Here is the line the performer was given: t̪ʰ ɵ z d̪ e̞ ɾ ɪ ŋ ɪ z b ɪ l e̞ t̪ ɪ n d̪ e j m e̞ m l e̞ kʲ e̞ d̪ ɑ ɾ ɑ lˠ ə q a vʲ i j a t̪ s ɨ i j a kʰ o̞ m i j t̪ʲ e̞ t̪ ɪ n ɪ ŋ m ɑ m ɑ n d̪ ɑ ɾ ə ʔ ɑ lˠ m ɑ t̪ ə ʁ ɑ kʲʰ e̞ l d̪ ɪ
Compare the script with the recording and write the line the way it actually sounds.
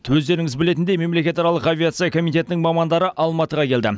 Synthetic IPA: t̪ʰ ɵ z d̪ e̞ ɾ ɪ ŋ ɪ z b ɪ l e̞ t̪ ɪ n d̪ e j m e̞ m l e̞ kʲ e̞ t̪ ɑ ɾ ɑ lˠ ə q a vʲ i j a t̪ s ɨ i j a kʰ o̞ m i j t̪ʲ e̞ t̪ ɪ n ɪ ŋ m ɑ m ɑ n d̪ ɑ ɾ ə ʔ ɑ lˠ m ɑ t̪ ə ʁ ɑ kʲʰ e̞ l d̪ ɪ